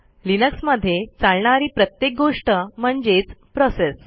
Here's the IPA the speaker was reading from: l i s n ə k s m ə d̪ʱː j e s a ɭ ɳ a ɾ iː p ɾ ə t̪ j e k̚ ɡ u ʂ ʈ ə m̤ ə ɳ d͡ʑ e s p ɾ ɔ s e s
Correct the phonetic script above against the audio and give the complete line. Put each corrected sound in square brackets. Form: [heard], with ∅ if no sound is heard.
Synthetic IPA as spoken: l i [∅] n ə k s m ə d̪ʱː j e [t͡s] a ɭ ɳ a ɾ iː p ɾ ə t̪ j e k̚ ɡ [o] ʂ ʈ ə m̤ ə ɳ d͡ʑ e [t͡s] p ɾ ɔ s e s